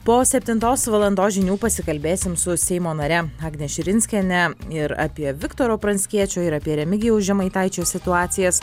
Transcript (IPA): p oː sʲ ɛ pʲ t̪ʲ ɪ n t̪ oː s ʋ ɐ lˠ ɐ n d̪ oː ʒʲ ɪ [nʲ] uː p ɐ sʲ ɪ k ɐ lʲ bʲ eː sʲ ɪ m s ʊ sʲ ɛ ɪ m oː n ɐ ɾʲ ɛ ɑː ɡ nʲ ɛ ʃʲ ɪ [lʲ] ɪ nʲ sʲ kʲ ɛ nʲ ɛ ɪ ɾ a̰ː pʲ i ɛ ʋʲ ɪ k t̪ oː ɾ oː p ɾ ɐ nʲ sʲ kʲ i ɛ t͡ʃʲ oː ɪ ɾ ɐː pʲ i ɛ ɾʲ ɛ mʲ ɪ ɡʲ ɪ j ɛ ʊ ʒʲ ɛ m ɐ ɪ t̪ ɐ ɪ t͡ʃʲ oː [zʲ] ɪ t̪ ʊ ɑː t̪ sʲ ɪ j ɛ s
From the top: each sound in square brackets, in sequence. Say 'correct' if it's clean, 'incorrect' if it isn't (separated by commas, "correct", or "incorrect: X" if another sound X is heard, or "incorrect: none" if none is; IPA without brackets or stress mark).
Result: correct, incorrect: ɾʲ, incorrect: sʲ